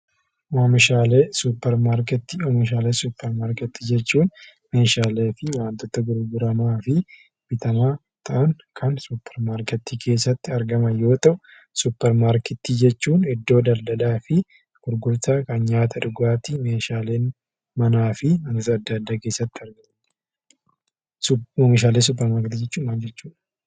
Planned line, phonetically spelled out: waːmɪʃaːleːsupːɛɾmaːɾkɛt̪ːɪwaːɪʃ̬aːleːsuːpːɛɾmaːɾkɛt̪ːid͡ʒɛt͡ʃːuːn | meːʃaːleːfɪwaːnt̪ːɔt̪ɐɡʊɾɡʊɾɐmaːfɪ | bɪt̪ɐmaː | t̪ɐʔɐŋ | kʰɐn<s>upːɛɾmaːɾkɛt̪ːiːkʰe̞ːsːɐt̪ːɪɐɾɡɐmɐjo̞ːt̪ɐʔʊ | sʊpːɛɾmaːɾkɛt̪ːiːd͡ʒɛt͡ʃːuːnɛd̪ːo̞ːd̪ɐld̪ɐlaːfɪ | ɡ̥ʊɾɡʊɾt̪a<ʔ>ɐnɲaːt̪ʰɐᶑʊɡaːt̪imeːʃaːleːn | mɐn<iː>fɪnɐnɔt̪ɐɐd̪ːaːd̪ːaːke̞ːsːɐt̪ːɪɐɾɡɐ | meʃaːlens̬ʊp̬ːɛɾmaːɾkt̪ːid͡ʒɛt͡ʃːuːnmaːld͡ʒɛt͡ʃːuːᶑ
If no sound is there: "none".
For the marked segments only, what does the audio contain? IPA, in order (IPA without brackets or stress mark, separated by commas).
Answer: s, k, aː